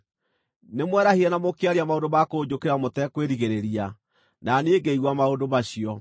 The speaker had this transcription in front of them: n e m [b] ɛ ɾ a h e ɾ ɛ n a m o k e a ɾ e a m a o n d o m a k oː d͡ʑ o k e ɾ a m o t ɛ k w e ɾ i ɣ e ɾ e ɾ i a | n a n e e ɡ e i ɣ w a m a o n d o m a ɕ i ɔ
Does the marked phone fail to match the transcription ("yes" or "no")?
yes